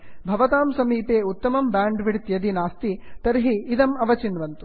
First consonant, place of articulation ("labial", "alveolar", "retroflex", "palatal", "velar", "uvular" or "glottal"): labial